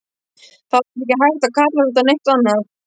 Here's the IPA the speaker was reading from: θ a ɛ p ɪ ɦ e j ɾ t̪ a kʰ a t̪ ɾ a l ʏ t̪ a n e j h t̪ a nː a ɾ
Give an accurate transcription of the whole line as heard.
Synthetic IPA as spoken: θ a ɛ c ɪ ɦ a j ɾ t̪ a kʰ a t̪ l a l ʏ t̪ a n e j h t̪ a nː a ɾ

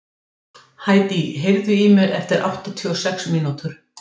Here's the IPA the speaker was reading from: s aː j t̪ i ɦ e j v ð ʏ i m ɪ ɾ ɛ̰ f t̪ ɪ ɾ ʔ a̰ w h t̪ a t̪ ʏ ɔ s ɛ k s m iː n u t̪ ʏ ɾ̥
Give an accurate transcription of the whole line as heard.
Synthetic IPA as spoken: h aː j t̪ i ɦ e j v ð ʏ i m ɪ ɾ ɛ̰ f t̪ ɪ ɾ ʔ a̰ w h t̪ a t̪ʰ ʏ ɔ s ɛ k s m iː n u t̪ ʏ ɾ̥

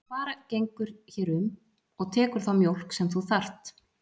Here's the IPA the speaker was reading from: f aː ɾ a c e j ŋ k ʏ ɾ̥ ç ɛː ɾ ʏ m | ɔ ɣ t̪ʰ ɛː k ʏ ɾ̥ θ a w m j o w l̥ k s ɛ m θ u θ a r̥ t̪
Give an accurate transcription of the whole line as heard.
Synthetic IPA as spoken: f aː ɾ a c e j ŋ k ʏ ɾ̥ ç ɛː ɾ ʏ m | ɔ ɣ t̪ʰ ɛː k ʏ ɾ̥ θ a w m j o w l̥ k s ɛ m θ u θ a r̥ t̪

